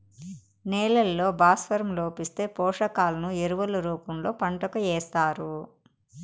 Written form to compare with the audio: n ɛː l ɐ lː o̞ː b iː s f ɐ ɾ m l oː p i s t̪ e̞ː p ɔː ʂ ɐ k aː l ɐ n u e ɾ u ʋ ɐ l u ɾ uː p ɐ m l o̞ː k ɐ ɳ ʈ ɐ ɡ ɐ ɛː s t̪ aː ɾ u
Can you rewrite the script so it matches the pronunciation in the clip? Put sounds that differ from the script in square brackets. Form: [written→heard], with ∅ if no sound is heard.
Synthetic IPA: n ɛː l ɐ lː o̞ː b [iː→aː] s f ɐ ɾ m l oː p i s t̪ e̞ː p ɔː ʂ ɐ k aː l ɐ n u e ɾ u ʋ ɐ l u ɾ uː p ɐ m l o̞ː [k→p] ɐ ɳ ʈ ɐ [ɡ→k] ɐ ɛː s t̪ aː ɾ u